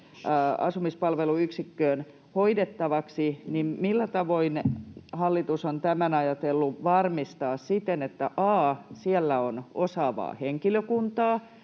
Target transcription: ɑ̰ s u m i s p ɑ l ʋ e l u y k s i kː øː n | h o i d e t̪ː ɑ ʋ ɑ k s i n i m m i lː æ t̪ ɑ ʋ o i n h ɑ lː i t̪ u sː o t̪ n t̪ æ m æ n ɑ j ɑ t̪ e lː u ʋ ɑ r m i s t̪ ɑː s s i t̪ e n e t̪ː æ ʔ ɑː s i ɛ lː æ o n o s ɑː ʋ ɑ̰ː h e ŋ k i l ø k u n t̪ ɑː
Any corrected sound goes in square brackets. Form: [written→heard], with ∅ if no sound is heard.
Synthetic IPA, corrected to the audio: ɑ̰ s u m i s p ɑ l ʋ e l u y k s i kː øː n | h o i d e t̪ː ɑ ʋ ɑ k s i n i m m i lː æ t̪ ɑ ʋ o i n h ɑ lː i t̪ u [sː→s] o [t̪→∅] n t̪ æ m æ n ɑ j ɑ t̪ e lː u ʋ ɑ r m i s t̪ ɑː s s i t̪ e n e t̪ː æ ʔ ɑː s i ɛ lː æ o n o s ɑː ʋ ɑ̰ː h e ŋ k i l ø k u n t̪ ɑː